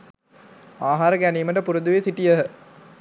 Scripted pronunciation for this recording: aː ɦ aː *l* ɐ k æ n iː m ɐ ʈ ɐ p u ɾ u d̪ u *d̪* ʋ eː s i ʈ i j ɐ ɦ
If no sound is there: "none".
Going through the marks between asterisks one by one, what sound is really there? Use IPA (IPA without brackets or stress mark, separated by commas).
ɾ, none